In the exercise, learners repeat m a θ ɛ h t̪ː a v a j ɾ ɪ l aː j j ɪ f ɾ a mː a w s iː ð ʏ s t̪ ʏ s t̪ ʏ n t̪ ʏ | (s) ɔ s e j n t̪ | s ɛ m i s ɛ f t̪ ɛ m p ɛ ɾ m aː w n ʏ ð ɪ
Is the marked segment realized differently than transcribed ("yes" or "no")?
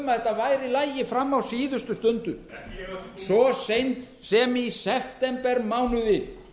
no